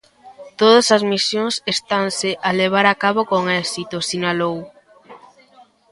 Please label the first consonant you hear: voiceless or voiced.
voiceless